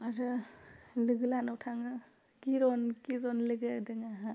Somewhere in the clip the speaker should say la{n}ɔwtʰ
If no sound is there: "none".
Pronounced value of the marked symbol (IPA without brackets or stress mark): n